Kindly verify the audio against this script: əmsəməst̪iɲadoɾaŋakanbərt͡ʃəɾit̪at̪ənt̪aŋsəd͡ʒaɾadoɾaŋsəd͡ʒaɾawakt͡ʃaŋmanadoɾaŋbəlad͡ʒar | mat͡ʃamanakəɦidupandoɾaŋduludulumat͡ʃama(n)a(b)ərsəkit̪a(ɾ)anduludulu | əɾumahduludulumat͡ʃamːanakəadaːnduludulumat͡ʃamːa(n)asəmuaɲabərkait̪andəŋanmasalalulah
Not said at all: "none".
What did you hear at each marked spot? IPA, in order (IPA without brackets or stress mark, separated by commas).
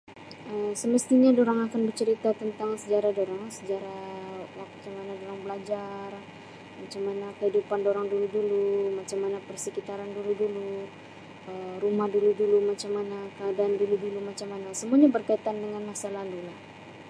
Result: n, p, ɾ, n